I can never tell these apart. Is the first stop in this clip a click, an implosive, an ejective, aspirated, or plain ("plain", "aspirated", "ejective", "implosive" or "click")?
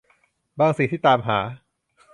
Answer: plain